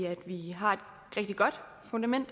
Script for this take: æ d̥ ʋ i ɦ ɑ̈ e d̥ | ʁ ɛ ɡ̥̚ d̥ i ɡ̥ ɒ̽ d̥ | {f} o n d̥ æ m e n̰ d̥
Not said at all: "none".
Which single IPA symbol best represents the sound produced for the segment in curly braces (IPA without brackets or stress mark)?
f